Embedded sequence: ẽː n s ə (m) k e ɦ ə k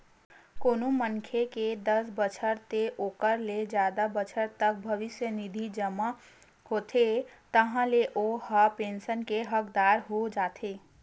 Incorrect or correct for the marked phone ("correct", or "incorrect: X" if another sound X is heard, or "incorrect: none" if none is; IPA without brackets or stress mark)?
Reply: incorrect: n